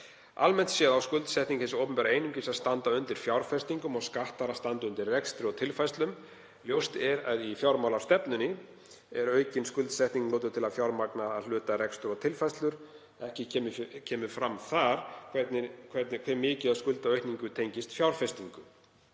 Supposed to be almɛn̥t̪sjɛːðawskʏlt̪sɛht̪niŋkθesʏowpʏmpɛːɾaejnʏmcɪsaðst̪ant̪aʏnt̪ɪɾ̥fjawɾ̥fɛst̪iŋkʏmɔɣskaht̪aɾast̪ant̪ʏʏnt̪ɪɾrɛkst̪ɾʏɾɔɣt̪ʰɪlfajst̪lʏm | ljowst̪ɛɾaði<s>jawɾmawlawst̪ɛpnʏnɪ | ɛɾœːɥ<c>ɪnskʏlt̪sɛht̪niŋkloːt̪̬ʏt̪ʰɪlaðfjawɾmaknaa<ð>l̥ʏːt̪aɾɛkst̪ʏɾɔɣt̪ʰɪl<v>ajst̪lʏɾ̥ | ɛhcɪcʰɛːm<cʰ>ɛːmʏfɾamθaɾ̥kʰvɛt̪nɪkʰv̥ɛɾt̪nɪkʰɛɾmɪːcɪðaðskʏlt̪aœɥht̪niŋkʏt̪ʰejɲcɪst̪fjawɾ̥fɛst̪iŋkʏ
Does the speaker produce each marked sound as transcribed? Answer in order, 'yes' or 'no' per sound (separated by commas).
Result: no, yes, yes, no, yes